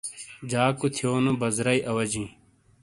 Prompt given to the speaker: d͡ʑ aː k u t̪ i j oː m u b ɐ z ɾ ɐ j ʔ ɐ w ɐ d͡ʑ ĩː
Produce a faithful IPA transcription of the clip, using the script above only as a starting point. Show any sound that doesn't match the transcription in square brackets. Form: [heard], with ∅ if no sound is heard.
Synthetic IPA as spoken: d͡ʑ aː k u [t̪ʰ] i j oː [n] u b ɐ z ɾ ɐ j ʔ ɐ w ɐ d͡ʑ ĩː